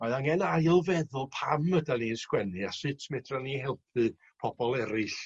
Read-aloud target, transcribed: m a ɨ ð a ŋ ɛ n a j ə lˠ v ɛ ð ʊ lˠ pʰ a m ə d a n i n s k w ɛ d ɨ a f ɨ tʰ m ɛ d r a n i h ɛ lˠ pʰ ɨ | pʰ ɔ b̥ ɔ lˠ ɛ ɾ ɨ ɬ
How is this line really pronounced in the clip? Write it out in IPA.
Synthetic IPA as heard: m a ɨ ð a ŋ ɛ n a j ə lˠ v ɛ ð ʊ lˠ pʰ a m ə d a n i n s k w ɛ n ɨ a s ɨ tʰ m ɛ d r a n i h ɛ lˠ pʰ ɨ | pʰ ɔ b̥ ɔ lˠ ɛ ɾ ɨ ɬ